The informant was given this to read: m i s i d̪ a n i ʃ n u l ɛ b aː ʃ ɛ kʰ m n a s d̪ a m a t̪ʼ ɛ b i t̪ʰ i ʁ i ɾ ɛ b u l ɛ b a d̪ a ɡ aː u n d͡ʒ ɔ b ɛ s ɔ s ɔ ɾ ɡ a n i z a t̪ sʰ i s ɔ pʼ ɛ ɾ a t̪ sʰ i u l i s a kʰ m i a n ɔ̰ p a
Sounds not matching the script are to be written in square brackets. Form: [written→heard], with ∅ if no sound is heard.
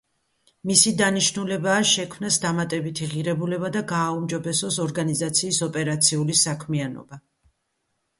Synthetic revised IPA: m i s i d̪ a n i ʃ n u l ɛ b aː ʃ ɛ kʰ m n a s d̪ a m a t̪ʼ ɛ b i t̪ʰ i ʁ i ɾ ɛ b u l ɛ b a d̪ a ɡ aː u [n→m] d͡ʒ ɔ b ɛ s ɔ s ɔ ɾ ɡ a n i z a t̪ sʰ [i→iː] s ɔ pʼ ɛ ɾ a t̪ sʰ i u l i s a kʰ m i a n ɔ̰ [p→b] a

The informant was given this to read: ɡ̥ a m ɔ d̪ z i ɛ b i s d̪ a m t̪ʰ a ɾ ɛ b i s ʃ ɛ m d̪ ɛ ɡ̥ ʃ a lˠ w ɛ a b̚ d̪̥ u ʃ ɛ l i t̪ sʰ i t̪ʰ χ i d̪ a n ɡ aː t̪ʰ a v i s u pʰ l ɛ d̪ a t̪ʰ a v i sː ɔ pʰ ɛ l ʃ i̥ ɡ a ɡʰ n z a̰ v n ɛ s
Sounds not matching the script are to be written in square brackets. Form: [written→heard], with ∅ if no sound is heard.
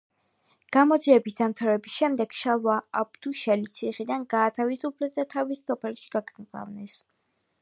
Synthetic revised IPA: ɡ̥ a m ɔ d̪ z i ɛ b i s d̪ a m t̪ʰ a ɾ ɛ b i s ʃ ɛ m d̪ ɛ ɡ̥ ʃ a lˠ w [ɛ→a] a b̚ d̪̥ u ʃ ɛ l i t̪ sʰ i [t̪ʰ→∅] χ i d̪ a n ɡ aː t̪ʰ a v i s u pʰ l ɛ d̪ a t̪ʰ a v i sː ɔ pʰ ɛ l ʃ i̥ ɡ a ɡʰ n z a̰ v n ɛ s

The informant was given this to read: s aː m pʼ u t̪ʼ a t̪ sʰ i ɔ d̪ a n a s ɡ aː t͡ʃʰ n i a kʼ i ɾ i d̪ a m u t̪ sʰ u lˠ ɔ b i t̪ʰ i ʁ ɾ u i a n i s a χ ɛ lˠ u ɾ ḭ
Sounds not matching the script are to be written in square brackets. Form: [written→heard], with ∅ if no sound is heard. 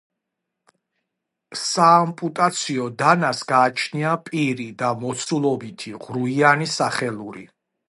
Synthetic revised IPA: s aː m pʼ u t̪ʼ a t̪ sʰ i ɔ d̪ a n a s ɡ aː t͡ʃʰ n i a [kʼ→pʼ] i ɾ i d̪ a m [u→ɔ] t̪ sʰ u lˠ ɔ b i t̪ʰ i ʁ ɾ u i a n i s a χ ɛ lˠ u ɾ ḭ

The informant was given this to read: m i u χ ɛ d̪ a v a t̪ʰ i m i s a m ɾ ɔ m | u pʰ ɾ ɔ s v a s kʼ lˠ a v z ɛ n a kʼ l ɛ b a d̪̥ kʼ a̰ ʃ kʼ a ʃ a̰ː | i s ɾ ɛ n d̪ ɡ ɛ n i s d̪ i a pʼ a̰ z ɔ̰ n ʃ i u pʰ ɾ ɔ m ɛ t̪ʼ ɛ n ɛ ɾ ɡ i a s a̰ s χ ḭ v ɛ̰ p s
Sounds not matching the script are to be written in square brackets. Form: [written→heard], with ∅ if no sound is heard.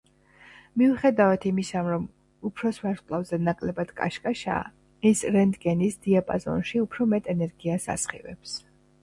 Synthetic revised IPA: m i u χ ɛ d̪ a v a t̪ʰ i m i s a m ɾ ɔ m | u pʰ ɾ ɔ s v a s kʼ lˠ a v z ɛ n a kʼ l ɛ b a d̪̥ kʼ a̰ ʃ kʼ a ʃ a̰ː | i s ɾ ɛ n d̪ ɡ ɛ n i s d̪ i a pʼ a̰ z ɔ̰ n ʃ i u pʰ ɾ ɔ m ɛ t̪ʼ ɛ n ɛ ɾ ɡ i a s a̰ s χ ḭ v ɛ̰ p s

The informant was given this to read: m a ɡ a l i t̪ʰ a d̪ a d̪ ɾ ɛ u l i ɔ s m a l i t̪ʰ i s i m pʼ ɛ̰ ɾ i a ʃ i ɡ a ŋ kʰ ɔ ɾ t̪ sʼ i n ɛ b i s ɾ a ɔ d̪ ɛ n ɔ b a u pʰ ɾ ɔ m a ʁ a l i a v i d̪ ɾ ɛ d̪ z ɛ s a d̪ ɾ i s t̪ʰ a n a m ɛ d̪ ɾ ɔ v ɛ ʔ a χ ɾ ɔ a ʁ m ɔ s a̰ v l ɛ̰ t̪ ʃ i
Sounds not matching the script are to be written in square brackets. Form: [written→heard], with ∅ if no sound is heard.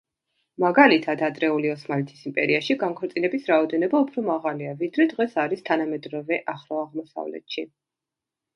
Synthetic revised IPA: m a ɡ a l i t̪ʰ a d̪ a d̪ ɾ ɛ u l i ɔ s m a l i t̪ʰ i s i m pʼ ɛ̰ ɾ i a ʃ i ɡ a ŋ kʰ ɔ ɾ t̪ sʼ i n ɛ b i s ɾ a ɔ d̪ ɛ n ɔ b a u pʰ ɾ ɔ m a ʁ a l i a v i d̪ ɾ ɛ d̪ [z→ʁ] ɛ s a [d̪→∅] ɾ i s t̪ʰ a n a m ɛ d̪ ɾ ɔ v ɛ ʔ a χ ɾ ɔ a ʁ m ɔ s a̰ v l ɛ̰ t̪ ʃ i

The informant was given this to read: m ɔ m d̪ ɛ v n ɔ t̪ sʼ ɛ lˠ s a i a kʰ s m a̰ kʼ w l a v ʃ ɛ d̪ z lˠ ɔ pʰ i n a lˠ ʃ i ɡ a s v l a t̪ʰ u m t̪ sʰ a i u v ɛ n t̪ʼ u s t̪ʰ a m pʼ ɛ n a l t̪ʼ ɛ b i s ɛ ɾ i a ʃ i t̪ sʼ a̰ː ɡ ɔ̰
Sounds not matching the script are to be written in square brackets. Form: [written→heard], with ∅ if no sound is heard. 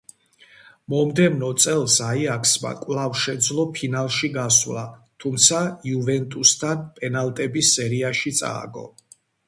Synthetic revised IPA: m ɔ m d̪ ɛ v n ɔ t̪ sʼ ɛ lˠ s a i a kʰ s m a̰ kʼ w l a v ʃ ɛ d̪ z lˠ ɔ pʰ i n a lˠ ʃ i ɡ a s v l a t̪ʰ u m t̪ sʰ a i u v ɛ n t̪ʼ u s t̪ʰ a [m→n] pʼ ɛ n a l t̪ʼ ɛ b i s ɛ ɾ i a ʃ i t̪ sʼ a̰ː ɡ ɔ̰

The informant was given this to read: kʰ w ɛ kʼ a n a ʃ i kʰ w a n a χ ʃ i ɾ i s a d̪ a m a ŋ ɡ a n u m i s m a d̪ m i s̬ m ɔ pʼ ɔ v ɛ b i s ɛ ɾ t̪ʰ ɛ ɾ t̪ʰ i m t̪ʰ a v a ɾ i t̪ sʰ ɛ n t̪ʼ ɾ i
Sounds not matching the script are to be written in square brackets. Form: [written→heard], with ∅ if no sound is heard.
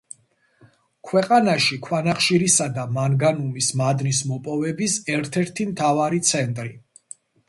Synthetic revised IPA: kʰ w ɛ [kʼ→qʼ] a n a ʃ i kʰ w a n a χ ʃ i ɾ i s a d̪ a m a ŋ ɡ a n u m i s m a d̪ [m→n] i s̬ m ɔ pʼ ɔ v ɛ b i s ɛ ɾ t̪ʰ ɛ ɾ t̪ʰ i m t̪ʰ a v a ɾ i t̪ sʰ ɛ n t̪ʼ ɾ i

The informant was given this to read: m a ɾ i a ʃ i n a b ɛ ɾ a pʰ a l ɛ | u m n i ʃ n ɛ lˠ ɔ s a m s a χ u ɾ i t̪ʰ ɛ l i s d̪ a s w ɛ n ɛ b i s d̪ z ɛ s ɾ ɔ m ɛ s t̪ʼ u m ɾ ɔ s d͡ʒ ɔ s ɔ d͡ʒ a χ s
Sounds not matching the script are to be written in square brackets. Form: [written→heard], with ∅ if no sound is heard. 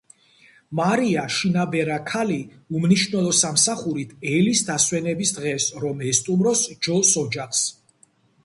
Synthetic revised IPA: m a ɾ i a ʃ i n a b ɛ ɾ a [pʰ→kʰ] a l [ɛ→i] | u m n i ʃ n ɛ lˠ ɔ s a m s a χ u ɾ i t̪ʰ ɛ l i s d̪ a s w ɛ n ɛ b i s d̪ [z→ʁ] ɛ s ɾ ɔ m ɛ s t̪ʼ u m ɾ ɔ s d͡ʒ ɔ s ɔ d͡ʒ a χ s

